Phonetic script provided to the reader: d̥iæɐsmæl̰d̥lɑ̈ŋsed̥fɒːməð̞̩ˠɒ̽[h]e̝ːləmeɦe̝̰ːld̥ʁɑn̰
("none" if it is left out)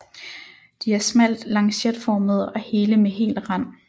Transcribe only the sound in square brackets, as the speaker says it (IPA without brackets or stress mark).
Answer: h